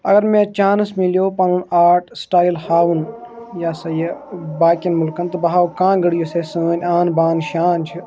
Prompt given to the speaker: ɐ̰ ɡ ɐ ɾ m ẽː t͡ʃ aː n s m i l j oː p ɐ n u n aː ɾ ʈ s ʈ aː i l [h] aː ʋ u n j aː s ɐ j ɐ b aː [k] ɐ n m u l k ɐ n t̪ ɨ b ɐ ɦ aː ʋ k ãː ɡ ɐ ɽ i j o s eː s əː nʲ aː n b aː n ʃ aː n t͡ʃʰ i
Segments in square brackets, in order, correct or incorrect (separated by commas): correct, correct